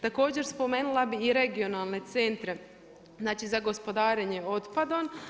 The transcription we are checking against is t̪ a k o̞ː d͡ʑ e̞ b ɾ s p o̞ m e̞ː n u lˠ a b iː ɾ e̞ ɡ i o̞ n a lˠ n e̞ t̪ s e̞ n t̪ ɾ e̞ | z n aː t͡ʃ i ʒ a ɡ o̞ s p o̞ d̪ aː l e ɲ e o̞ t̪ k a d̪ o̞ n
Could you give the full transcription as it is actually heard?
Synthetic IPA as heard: t̪ a k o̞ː d͡ʑ e̞ ɾ s p o̞ m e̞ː n u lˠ a b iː ɾ e̞ ɡ i o̞ n a lˠ n e̞ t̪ s e̞ n t̪ ɾ e̞ | z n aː t͡ʃ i z a ɡ o̞ s p o̞ d̪ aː ɾ e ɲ e o̞ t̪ p a d̪ o̞ n